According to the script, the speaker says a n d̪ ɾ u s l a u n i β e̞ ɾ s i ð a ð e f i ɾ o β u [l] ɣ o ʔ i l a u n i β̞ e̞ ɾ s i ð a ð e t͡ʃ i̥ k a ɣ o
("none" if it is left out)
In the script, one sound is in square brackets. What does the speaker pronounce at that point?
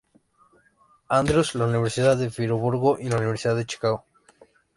ɾ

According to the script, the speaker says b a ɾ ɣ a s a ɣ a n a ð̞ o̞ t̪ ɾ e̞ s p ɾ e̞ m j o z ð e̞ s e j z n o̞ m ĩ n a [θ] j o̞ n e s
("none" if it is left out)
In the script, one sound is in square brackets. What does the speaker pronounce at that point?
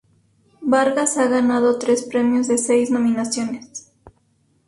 s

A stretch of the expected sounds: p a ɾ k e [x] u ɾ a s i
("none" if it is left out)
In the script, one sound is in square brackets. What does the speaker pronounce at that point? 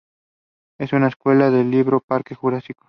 x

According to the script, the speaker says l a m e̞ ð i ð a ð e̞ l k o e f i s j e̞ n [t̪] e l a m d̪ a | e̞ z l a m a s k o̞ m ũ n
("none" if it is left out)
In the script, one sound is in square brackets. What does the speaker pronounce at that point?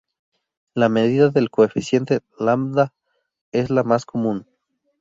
t̪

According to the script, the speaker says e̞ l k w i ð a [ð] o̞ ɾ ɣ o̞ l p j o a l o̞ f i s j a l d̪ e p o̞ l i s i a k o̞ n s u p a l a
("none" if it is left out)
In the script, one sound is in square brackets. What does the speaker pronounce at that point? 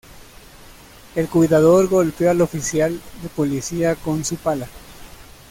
ð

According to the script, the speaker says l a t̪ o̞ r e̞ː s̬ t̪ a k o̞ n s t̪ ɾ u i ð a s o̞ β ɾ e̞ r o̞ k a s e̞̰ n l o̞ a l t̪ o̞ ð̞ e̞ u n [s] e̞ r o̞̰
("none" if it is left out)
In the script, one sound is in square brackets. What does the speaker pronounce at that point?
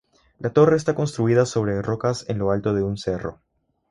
s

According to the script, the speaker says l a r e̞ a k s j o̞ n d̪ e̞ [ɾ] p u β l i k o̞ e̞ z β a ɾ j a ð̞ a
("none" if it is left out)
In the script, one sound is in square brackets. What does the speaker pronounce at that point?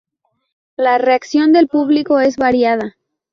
l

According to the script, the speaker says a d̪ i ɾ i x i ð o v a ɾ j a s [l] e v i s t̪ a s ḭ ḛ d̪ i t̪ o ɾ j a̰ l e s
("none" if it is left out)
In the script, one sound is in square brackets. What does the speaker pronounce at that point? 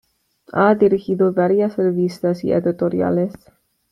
r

